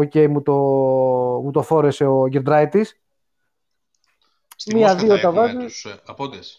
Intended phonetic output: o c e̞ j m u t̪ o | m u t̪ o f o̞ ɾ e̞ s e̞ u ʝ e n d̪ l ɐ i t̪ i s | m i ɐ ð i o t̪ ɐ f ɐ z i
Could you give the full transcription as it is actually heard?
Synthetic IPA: o c e̞ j m u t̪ o | m u t̪ o f o̞ ɾ e̞ s e̞ o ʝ e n d̪ ɾ ɐ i t̪ i s | m i ɐ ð i o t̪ ɐ v ɐ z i